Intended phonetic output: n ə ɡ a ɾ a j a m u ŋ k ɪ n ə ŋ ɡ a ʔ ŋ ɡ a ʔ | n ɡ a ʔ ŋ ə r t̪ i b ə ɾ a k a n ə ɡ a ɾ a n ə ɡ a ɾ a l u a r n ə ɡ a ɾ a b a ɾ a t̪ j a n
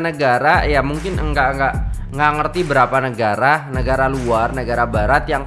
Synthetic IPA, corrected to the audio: n ə ɡ a ɾ a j a m u ŋ k ɪ n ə ŋ ɡ a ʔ ŋ ɡ a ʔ | ŋ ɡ a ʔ ŋ ə r t̪ i b ə ɾ a p a n ə ɡ a ɾ a n ə ɡ a ɾ a l u a r n ə ɡ a ɾ a b a ɾ a t̪ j a ŋ